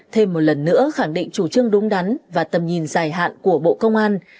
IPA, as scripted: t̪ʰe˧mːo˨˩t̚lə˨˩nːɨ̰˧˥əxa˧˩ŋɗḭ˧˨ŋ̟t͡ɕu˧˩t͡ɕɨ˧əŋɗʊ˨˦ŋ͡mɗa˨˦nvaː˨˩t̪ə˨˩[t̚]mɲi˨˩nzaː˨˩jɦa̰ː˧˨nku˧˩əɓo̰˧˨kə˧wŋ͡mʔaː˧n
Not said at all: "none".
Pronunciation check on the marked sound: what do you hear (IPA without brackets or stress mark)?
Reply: none